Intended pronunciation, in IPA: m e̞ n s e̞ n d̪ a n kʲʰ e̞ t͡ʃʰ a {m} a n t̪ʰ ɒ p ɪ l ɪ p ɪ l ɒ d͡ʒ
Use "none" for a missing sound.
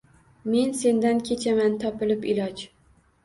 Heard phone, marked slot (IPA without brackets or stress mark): m